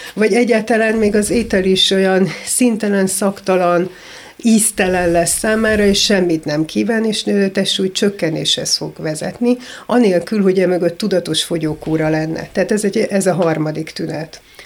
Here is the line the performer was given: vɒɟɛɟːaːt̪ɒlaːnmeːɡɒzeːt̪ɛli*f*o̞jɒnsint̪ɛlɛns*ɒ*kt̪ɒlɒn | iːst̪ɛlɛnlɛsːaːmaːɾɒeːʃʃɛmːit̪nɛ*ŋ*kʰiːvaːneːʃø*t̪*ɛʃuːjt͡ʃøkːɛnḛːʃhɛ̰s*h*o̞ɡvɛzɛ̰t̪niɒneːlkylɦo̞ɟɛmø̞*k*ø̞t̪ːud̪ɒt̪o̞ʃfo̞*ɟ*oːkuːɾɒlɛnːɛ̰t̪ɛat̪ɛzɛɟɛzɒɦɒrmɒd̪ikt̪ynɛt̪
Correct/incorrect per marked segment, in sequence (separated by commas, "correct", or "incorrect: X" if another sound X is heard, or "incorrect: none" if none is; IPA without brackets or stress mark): incorrect: ʃ, correct, incorrect: m, correct, incorrect: f, incorrect: ɡ, correct